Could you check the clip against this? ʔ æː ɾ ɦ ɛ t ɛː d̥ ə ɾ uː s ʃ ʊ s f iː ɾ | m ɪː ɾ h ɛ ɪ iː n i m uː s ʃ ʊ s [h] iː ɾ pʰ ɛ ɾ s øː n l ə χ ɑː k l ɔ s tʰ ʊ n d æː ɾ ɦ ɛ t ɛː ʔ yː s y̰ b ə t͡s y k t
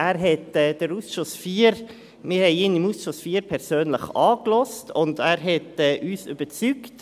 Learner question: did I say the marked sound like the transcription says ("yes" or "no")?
no